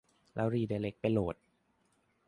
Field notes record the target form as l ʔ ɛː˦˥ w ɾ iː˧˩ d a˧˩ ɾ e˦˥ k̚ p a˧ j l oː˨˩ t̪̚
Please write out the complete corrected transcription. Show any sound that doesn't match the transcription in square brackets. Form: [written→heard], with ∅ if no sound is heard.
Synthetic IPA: l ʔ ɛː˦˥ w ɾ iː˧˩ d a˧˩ [ɾ→l] e˦˥ k̚ p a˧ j l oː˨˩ t̪̚